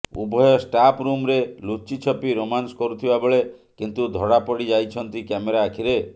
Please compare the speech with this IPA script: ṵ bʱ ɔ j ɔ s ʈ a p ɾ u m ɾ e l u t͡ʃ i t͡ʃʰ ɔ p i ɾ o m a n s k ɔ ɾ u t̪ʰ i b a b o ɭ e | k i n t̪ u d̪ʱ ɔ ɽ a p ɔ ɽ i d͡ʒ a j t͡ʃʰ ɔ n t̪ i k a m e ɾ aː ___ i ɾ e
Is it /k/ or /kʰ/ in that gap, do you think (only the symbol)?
kʰ